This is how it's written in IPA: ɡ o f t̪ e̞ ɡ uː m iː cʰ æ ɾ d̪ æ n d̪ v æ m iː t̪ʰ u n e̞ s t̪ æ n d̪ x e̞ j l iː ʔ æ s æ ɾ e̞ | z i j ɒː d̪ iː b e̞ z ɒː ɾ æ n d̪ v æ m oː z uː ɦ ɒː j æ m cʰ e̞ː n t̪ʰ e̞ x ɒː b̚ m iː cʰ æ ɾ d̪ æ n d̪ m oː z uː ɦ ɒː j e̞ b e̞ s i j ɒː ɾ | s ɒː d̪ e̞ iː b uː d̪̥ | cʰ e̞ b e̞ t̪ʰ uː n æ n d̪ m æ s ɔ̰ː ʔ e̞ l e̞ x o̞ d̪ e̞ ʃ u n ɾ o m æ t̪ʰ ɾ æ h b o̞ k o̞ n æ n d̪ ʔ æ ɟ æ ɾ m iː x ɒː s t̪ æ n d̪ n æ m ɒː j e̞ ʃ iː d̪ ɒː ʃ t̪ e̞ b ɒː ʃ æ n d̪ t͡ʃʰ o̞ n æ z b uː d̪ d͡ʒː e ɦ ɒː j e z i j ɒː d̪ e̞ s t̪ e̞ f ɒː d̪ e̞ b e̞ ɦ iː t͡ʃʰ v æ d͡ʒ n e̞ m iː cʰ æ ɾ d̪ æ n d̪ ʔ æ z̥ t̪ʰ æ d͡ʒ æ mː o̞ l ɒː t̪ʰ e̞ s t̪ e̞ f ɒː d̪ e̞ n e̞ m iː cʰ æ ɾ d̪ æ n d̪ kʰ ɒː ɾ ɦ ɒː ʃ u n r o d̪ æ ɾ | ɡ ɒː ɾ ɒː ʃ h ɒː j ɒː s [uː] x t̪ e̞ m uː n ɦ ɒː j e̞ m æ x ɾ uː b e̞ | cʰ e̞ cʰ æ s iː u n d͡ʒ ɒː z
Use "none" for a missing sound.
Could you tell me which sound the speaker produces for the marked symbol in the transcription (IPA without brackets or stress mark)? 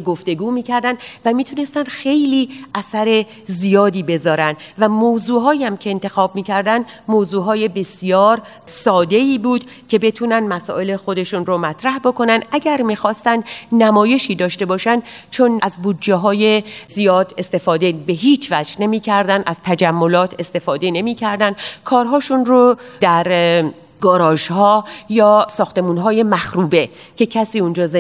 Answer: ɒː